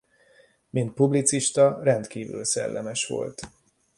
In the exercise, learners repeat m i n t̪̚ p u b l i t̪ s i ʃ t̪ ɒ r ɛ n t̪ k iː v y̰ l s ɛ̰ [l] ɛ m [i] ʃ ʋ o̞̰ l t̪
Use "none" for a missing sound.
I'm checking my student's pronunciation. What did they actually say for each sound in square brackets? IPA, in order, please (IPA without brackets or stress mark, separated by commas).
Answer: lː, ɛ